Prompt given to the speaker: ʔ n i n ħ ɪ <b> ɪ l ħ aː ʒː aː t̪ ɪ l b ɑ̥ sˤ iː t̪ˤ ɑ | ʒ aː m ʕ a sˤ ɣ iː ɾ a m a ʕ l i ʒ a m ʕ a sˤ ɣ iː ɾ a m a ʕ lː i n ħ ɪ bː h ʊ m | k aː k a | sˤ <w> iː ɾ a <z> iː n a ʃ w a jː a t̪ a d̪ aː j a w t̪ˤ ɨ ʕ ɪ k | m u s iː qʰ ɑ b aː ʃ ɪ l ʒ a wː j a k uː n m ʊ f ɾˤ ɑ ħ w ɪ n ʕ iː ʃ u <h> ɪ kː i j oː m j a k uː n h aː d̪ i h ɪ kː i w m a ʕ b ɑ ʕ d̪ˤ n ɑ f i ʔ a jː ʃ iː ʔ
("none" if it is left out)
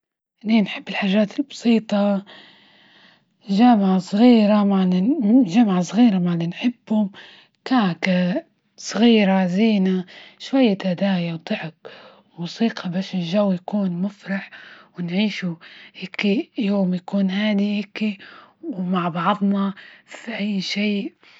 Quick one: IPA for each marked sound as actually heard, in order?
bː, ɣ, z, h

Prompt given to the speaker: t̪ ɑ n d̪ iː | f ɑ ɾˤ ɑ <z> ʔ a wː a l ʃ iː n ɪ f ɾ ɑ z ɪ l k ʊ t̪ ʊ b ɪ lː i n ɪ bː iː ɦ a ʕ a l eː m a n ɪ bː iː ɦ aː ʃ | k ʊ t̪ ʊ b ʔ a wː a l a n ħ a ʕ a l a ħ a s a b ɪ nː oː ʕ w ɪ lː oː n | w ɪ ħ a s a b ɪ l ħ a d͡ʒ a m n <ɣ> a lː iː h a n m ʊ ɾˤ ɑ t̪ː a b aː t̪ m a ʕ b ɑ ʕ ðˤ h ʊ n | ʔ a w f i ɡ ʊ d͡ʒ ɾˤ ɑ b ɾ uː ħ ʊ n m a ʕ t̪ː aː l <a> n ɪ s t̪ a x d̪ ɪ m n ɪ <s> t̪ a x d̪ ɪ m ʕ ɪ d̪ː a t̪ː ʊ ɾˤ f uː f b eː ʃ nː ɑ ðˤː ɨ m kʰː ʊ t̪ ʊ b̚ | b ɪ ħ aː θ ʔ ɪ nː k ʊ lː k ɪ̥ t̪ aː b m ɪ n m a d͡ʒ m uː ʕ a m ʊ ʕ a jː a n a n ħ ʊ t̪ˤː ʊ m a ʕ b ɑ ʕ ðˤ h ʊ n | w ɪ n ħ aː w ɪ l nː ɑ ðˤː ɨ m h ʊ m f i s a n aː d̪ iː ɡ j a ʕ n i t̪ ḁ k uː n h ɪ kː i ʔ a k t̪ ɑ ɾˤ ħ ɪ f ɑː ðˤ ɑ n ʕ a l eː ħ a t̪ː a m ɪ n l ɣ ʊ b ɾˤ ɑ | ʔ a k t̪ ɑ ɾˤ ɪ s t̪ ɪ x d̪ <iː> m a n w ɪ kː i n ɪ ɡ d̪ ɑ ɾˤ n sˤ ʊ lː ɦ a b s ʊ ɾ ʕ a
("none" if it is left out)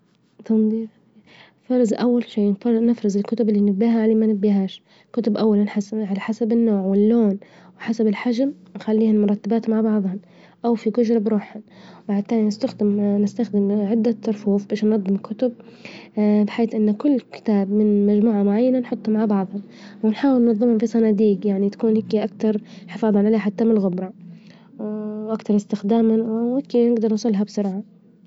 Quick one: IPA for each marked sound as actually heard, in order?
z, x, i, s, aː

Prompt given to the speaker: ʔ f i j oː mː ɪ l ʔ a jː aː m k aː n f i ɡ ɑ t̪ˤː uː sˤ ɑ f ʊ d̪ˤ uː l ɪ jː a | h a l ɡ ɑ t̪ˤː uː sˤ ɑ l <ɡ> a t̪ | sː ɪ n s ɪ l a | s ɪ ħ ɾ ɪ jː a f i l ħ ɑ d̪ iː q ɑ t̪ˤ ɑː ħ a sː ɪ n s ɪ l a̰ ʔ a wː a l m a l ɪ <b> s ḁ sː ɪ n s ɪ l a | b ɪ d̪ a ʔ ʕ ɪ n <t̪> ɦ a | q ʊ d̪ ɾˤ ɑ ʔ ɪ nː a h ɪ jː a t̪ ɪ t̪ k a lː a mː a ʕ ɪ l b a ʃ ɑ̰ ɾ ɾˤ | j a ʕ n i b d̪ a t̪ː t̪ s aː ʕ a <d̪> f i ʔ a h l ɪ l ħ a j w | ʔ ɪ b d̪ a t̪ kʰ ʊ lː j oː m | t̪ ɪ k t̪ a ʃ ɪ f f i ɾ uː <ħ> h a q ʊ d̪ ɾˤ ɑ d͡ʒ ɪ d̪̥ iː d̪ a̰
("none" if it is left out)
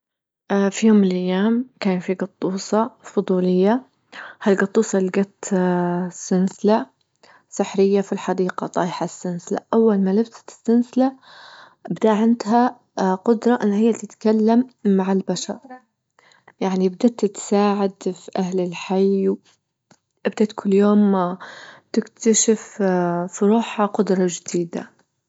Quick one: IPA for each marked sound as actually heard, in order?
ɡ, b, d̪, d̪, ħ

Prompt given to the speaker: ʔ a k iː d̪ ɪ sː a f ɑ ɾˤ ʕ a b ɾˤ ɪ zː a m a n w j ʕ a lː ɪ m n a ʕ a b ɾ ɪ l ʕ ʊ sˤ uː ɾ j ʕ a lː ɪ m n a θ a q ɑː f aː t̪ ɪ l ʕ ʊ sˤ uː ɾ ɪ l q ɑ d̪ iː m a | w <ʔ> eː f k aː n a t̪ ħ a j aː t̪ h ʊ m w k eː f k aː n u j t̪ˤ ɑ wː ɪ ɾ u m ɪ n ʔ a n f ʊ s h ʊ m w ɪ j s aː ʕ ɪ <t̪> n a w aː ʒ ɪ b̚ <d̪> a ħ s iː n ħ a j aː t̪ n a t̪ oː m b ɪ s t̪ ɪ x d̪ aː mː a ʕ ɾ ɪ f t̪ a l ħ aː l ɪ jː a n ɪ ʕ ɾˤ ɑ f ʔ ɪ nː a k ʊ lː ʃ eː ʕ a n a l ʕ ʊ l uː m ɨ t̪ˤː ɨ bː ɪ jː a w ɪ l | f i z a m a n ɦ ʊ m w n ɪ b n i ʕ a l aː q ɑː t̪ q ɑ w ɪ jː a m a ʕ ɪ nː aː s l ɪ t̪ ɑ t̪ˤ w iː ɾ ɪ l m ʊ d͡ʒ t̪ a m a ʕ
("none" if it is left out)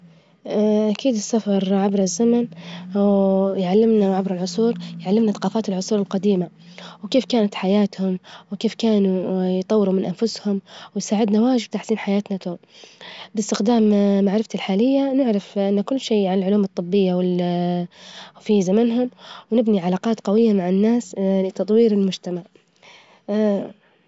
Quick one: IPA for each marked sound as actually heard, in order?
k, d̪, t̪

